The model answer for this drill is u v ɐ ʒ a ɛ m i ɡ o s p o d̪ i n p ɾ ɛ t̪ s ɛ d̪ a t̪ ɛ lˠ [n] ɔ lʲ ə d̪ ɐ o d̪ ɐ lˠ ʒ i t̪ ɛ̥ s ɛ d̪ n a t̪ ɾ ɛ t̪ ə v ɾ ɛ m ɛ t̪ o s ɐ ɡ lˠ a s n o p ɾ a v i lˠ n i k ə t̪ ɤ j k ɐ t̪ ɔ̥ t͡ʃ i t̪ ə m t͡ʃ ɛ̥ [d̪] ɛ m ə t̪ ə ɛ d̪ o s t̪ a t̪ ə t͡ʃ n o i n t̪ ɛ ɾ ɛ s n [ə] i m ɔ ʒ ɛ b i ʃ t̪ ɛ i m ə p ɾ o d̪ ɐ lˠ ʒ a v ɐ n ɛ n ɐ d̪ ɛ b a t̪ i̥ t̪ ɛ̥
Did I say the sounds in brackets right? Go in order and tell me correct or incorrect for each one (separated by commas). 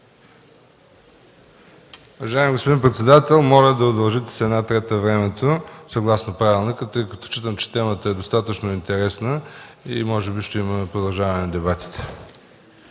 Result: incorrect, incorrect, correct